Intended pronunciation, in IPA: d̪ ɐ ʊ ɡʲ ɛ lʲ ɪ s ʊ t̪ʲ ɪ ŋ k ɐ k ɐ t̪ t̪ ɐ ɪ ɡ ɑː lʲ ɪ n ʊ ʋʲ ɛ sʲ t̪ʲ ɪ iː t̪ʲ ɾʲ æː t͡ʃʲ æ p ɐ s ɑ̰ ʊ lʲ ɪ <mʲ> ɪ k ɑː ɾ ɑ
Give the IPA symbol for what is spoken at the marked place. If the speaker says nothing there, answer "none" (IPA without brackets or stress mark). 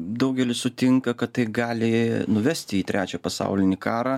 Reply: nʲ